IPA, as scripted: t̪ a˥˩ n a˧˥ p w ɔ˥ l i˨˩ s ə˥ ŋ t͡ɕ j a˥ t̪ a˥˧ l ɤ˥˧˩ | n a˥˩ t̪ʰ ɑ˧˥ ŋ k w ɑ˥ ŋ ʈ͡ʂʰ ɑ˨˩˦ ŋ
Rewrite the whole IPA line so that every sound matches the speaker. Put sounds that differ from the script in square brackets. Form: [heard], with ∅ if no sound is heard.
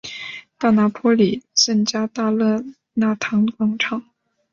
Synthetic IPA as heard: t̪ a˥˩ n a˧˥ [pʰ] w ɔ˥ l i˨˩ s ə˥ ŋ t͡ɕ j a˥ t̪ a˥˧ l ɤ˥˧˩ | n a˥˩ t̪ʰ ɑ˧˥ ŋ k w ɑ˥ ŋ ʈ͡ʂʰ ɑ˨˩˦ ŋ